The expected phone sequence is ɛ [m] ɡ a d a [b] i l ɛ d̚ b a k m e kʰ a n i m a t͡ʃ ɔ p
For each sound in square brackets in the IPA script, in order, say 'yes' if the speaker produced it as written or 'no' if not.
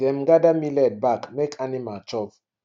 yes, no

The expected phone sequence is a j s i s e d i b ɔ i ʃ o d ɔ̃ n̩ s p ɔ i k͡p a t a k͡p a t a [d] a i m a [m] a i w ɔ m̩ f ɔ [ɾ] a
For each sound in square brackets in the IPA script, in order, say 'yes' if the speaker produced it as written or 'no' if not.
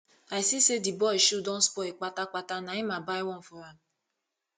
no, no, yes

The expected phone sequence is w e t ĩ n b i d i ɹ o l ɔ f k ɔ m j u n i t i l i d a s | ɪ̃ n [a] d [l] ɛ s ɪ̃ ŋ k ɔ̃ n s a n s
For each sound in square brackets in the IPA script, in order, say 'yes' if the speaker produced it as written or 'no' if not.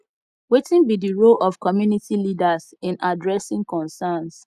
yes, no

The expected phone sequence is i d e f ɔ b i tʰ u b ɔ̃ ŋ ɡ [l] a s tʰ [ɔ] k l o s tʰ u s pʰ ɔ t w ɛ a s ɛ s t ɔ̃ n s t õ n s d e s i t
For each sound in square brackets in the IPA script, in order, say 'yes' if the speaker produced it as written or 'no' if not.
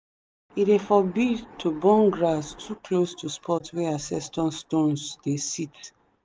no, no

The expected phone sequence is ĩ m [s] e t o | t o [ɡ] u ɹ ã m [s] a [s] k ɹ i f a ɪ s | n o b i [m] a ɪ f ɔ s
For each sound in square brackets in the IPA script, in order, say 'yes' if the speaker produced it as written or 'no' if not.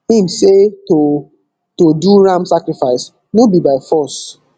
yes, no, yes, no, no

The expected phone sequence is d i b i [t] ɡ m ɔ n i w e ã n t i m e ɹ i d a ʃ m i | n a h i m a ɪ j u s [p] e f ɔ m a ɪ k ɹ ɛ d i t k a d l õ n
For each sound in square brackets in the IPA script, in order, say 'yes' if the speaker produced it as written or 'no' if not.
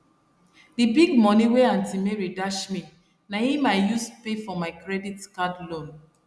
no, yes

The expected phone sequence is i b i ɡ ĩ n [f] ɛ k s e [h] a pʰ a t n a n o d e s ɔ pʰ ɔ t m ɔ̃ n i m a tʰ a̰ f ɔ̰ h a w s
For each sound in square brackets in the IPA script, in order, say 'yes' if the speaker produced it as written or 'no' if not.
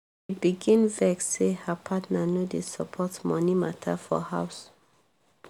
no, yes

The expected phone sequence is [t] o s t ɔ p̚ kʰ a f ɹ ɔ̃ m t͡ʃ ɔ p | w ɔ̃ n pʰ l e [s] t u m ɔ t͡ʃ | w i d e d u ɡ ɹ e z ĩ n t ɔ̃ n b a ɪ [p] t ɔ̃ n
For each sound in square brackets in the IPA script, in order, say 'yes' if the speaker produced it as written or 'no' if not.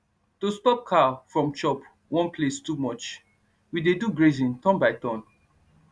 yes, yes, no

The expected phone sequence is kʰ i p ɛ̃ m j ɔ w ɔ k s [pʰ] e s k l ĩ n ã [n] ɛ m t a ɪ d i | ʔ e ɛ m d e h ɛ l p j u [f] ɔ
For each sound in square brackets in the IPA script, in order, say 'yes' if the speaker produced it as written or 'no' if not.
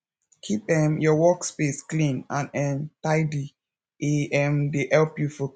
no, yes, yes

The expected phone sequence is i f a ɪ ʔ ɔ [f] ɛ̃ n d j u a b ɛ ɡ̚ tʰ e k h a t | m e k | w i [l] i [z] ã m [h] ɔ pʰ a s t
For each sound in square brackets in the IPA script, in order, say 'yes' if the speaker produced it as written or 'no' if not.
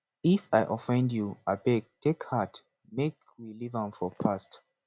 yes, yes, no, no

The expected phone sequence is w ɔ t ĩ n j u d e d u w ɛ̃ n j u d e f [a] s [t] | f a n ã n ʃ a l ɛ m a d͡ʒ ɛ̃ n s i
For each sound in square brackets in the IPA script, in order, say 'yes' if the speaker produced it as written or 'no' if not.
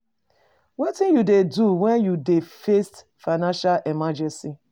no, yes

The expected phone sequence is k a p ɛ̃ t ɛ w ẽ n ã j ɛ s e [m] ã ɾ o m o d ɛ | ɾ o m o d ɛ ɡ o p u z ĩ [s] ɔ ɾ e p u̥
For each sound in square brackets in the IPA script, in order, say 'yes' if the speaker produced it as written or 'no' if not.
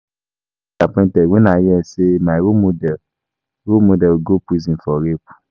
yes, no

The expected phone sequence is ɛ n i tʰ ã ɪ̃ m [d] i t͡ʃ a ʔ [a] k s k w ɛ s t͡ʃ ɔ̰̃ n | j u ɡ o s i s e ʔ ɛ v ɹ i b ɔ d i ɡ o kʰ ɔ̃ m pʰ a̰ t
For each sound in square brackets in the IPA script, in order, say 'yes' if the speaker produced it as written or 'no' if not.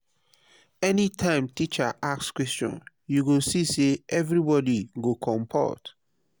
no, yes

